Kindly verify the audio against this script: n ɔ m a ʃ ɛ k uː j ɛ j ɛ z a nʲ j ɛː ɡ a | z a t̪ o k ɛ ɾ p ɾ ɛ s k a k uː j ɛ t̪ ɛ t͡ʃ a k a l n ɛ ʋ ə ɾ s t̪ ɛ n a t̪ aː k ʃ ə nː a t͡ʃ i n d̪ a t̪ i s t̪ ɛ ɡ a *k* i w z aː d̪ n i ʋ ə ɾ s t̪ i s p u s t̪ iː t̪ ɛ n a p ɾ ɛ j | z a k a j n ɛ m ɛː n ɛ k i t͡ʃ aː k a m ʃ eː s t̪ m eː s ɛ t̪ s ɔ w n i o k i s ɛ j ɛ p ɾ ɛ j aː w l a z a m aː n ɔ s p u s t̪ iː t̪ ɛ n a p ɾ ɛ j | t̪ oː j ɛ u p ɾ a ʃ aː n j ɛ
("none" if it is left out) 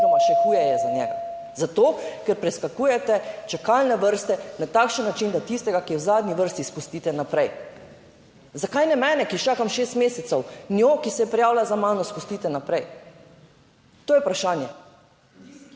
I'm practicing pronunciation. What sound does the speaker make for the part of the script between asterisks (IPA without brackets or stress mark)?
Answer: k